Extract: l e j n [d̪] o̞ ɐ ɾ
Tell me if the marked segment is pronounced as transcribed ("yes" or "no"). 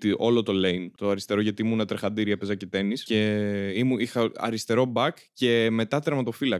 no